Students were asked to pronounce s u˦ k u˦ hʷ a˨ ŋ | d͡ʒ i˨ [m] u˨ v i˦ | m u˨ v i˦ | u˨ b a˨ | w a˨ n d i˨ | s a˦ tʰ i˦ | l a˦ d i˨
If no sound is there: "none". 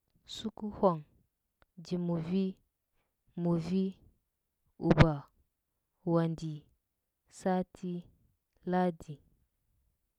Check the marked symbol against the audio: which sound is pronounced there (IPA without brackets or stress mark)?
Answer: m